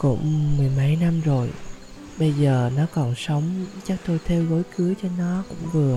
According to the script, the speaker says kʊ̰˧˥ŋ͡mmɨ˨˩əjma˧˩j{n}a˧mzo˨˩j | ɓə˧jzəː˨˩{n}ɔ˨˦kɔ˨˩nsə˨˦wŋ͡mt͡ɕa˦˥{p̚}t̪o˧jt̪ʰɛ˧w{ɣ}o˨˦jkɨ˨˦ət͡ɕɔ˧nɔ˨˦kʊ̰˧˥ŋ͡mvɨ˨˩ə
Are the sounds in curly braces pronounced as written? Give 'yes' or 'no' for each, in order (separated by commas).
yes, yes, no, yes